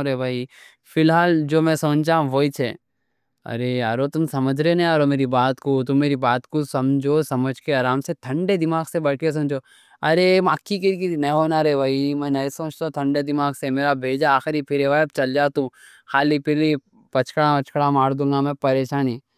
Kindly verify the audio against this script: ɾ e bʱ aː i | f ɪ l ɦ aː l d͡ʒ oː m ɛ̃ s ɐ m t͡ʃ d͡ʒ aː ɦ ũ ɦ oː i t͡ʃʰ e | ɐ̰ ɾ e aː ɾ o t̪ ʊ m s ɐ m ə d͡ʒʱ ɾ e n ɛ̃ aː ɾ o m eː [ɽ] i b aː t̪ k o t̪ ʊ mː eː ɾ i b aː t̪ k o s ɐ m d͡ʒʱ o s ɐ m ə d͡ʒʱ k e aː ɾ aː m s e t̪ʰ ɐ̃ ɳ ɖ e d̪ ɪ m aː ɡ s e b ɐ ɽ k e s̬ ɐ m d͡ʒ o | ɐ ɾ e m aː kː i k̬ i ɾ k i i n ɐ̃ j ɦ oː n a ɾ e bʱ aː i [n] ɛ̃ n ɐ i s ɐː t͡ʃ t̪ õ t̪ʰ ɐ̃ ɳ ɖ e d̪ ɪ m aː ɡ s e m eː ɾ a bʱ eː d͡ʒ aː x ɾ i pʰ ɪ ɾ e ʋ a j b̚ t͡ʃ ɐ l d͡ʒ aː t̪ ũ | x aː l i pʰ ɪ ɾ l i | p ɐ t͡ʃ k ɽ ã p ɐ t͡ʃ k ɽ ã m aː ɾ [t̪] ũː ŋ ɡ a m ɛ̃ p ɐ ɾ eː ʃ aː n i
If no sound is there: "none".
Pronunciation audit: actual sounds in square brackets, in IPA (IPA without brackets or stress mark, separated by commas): ɾ, m, d̪